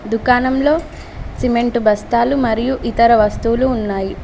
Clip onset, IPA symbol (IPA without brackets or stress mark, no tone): d̪